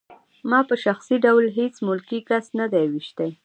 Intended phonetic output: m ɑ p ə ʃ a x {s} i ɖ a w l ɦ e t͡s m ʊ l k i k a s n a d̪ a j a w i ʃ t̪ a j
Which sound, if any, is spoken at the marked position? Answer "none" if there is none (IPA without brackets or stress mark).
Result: s